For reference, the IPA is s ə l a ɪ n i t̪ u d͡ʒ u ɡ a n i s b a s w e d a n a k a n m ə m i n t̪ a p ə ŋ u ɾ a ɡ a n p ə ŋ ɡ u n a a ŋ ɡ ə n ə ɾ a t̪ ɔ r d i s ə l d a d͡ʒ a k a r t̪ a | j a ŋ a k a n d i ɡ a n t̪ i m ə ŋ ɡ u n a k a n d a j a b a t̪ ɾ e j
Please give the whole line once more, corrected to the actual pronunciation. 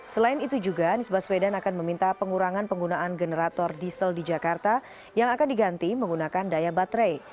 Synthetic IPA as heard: s ə l a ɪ n i t̪ u d͡ʒ u ɡ a n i s b a s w e d a n a k a n m ə m i n t̪ a p ə ŋ u ɾ a ŋ a n p ə ŋ ɡ u n a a n ɡ ə n ə ɾ a t̪ ɔ r d i s ə l d i d͡ʒ a k a r t̪ a | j a ŋ a k a n d i ɡ a n t̪ i m ə ŋ ɡ u n a k a n d a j a b a t̪ ɾ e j